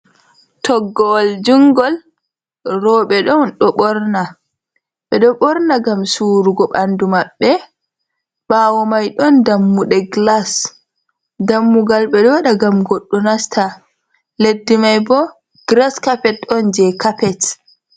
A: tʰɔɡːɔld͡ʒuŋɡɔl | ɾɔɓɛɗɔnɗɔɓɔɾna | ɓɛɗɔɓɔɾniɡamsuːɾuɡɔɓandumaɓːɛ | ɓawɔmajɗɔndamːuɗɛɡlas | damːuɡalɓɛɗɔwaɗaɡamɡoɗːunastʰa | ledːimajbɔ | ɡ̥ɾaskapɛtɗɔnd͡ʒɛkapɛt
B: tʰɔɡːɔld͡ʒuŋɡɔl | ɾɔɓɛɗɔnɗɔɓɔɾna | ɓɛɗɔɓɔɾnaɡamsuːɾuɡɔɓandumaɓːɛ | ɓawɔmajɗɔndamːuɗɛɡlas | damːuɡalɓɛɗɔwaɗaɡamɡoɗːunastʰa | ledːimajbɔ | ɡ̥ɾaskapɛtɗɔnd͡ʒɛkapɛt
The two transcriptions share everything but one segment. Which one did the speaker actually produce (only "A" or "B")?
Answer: B